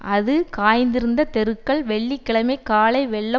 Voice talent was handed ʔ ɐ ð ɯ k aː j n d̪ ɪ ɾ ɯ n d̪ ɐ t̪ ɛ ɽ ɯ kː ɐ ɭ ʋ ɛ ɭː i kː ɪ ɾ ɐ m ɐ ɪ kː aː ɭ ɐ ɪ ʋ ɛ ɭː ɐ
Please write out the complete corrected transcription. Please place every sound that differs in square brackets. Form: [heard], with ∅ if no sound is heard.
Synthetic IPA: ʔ ɐ ð ɯ k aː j n d̪ ɪ ɾ ɯ n d̪ ɐ t̪ ɛ [ɾ] ɯ kː ɐ ɭ ʋ ɛ ɭː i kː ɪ [ɭ] ɐ m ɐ ɪ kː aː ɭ ɐ ɪ ʋ ɛ ɭː ɐ